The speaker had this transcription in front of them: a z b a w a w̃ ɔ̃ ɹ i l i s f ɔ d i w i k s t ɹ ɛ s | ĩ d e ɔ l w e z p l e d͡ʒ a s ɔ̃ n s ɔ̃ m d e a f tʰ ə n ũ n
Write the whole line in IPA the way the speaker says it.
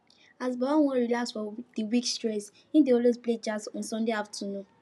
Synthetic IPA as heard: a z b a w a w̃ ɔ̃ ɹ i l a s f ɔ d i w i k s t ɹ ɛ s | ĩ d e ɔ l w e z p l e d͡ʒ a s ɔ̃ n s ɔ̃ n d e a f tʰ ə n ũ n